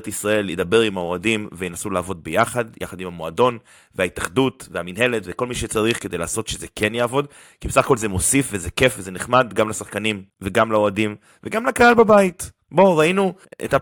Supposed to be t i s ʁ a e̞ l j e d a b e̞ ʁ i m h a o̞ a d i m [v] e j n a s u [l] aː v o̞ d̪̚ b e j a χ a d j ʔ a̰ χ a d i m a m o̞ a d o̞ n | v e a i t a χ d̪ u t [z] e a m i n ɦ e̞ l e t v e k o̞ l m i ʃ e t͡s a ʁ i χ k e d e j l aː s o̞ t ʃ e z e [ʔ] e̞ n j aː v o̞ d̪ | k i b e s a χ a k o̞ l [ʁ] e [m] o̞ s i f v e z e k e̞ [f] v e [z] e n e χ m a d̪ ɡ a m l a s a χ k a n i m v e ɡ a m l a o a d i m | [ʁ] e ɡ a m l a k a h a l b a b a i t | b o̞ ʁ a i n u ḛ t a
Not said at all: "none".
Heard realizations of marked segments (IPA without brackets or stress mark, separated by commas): v, l, v, k, z, m, f, z, v